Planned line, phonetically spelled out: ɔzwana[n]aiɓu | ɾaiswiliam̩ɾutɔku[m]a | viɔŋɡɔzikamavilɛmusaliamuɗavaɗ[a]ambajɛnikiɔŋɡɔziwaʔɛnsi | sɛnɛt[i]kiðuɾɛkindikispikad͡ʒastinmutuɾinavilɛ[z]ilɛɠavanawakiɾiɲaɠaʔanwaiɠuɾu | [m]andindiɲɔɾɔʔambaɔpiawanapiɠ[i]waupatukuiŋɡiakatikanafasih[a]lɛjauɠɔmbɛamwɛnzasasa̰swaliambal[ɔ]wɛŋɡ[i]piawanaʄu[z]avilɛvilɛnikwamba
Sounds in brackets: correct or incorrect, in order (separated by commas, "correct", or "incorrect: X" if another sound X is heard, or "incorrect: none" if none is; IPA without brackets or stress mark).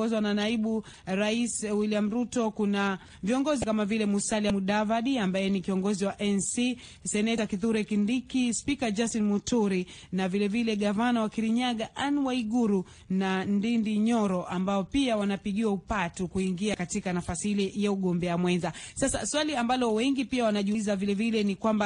correct, incorrect: n, incorrect: i, incorrect: a, incorrect: v, incorrect: n, correct, incorrect: i, correct, correct, correct